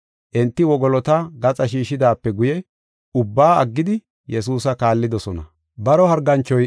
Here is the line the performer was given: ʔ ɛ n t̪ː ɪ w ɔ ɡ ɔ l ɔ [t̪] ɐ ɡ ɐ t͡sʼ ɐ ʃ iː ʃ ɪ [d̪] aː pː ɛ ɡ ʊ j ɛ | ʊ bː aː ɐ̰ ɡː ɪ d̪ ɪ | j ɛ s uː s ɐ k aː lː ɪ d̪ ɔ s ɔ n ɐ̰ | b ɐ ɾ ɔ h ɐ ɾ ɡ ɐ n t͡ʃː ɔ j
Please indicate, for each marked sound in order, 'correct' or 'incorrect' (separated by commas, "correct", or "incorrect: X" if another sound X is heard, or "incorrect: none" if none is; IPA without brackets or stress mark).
correct, correct